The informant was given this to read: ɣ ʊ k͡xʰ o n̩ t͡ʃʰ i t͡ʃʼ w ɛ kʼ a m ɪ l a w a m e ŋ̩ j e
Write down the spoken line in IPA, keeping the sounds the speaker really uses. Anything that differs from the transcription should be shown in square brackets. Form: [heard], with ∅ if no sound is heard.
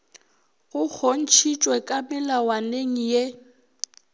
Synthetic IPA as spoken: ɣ ʊ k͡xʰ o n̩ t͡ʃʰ i t͡ʃʼ w ɛ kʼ a m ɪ l a w a [n] e ŋ̩ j e